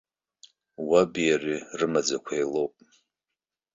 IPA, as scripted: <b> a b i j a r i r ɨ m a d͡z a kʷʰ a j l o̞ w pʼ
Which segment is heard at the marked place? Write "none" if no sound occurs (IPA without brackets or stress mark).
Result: w